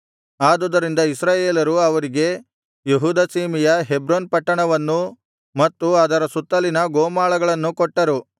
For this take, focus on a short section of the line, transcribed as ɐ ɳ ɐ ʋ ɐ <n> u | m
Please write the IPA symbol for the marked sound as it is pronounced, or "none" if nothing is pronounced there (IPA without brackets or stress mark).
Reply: nː